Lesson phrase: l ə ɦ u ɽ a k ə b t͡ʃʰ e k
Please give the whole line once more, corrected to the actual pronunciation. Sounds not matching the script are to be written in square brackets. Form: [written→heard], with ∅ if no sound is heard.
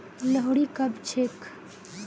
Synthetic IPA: l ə ɦ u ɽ [a→i] k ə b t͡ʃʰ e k